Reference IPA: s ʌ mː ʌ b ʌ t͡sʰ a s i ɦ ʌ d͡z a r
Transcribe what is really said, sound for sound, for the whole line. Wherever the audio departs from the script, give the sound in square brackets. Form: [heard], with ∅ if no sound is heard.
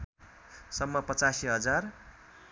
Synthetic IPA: s ʌ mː ʌ [p] ʌ [t͡s] a s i ɦ ʌ d͡z a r